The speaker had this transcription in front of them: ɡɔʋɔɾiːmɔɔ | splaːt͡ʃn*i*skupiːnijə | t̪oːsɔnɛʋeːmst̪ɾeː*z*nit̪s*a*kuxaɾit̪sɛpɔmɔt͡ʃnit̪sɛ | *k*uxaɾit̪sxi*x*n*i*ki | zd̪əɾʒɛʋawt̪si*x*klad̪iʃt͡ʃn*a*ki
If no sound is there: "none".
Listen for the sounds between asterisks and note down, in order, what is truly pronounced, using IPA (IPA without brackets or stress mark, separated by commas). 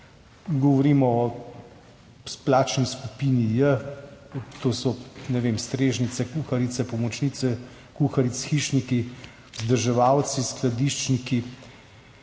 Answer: i, ʒ, ɛ, k, ʃ, i, s, i